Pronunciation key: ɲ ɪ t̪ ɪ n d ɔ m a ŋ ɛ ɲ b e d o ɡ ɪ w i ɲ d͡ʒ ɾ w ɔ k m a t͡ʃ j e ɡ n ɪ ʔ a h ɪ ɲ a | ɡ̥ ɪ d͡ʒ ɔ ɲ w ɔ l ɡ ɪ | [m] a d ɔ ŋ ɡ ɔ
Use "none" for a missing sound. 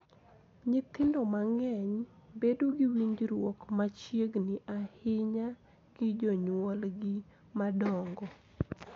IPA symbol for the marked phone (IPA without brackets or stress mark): m